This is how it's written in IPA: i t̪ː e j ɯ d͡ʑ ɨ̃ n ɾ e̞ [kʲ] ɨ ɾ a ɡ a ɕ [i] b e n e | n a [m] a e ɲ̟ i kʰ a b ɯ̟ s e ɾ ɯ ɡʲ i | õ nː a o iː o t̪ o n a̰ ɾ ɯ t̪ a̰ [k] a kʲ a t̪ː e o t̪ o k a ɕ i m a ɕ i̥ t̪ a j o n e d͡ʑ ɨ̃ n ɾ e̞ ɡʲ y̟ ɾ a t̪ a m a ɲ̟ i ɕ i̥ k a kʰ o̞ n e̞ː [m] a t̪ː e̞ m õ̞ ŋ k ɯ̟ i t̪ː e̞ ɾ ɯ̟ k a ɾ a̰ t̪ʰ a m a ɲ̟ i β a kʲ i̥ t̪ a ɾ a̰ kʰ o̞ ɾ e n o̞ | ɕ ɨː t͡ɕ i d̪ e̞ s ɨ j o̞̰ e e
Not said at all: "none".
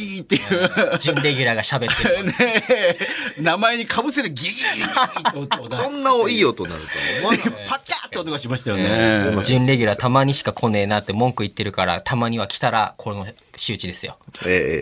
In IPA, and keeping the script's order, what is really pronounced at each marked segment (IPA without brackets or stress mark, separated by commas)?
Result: ɡʲ, a, m, p, n